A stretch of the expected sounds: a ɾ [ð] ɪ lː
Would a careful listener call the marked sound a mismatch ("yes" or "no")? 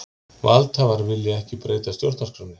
yes